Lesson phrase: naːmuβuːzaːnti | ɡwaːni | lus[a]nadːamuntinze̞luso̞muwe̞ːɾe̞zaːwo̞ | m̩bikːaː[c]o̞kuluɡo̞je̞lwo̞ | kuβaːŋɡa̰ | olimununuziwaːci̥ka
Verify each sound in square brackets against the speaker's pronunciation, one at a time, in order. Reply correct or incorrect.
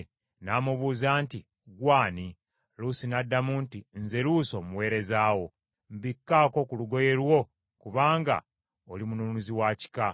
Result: incorrect, incorrect

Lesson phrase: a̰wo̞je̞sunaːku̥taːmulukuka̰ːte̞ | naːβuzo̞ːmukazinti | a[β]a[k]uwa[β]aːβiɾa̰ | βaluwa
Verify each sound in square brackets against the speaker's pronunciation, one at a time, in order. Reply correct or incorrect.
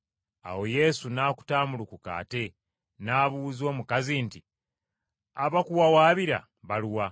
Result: correct, correct, incorrect

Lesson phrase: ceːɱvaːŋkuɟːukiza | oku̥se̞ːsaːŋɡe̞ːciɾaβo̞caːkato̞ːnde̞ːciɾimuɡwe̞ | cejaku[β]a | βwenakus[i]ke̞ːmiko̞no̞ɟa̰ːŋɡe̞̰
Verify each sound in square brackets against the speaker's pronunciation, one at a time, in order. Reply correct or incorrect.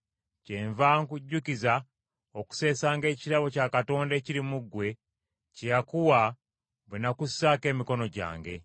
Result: incorrect, incorrect

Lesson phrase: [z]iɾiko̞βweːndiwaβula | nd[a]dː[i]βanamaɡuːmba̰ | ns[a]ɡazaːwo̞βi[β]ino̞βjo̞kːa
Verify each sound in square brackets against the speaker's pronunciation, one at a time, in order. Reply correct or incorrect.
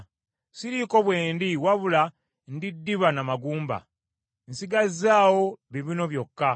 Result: incorrect, incorrect, correct, incorrect, correct

